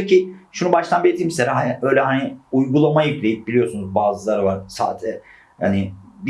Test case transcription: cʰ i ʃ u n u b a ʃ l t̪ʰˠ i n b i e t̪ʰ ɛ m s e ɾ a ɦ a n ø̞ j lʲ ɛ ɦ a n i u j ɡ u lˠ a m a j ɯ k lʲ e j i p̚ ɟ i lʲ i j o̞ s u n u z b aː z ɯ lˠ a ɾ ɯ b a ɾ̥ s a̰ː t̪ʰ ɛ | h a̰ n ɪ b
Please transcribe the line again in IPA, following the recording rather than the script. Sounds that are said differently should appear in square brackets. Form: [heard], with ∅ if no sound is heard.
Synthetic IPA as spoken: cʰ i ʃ u n u b a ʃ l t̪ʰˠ [a] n b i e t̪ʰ [i] m s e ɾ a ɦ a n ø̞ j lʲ ɛ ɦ a n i u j ɡ u lˠ a m a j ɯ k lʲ e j i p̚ [b] i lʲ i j o̞ s u n u z b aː z ɯ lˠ a ɾ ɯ [v] a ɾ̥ s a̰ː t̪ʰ ɛ | h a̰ n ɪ b